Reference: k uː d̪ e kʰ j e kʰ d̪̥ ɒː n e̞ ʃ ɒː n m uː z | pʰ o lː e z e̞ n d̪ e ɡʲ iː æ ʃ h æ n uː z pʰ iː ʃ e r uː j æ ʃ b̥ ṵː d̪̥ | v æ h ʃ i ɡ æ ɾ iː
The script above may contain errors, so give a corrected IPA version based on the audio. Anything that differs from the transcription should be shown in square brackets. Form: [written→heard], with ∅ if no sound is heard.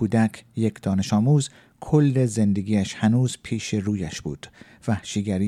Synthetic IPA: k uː d̪ [e→æ] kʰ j e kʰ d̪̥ ɒː n e̞ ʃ ɒː [n→∅] m uː z | [pʰ→kʰ] o lː e z e̞ n d̪ e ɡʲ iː æ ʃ h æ n uː z pʰ iː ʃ e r uː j æ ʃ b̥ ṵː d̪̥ | v æ h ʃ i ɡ æ ɾ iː